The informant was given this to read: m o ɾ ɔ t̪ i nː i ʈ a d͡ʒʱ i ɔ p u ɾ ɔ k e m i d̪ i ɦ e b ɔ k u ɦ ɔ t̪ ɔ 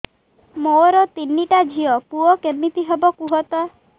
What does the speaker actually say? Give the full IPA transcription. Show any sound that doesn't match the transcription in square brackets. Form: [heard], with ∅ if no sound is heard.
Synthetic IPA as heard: m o ɾ ɔ t̪ i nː i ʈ a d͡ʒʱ i ɔ p u [∅] ɔ k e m i [t̪] i ɦ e b ɔ k u ɦ ɔ t̪ ɔ